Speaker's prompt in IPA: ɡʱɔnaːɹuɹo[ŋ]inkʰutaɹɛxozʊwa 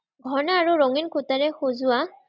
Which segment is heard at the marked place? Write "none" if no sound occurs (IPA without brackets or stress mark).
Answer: ŋ